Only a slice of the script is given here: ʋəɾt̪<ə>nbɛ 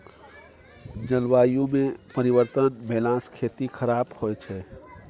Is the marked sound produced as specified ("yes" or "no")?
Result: yes